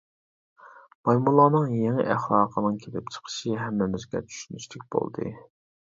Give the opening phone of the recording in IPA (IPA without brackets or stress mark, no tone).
m